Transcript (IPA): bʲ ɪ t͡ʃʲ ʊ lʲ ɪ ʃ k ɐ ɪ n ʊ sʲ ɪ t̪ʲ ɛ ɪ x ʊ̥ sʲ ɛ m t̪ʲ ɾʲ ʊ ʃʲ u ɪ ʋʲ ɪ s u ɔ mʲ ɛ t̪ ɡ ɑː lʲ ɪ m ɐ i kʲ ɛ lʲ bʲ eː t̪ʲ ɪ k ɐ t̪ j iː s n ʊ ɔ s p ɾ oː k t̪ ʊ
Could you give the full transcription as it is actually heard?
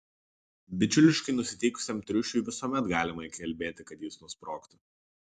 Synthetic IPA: bʲ ɪ t͡ʃʲ ʊ lʲ ɪ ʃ k ɐ ɪ n ʊ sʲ ɪ t̪ʲ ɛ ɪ k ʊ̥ sʲ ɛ m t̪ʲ ɾʲ ʊ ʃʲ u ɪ ʋʲ ɪ s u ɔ mʲ ɛ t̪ ɡ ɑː lʲ ɪ m ɐ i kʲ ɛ lʲ bʲ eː t̪ʲ ɪ k ɐ t̪ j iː s n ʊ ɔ s p ɾ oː k t̪ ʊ